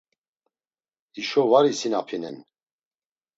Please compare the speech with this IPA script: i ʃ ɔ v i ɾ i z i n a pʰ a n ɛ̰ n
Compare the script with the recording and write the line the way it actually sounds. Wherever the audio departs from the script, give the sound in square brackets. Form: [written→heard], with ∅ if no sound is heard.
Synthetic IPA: i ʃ ɔ v [i→a] ɾ i [z→s] i n a pʰ [a→i] n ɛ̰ n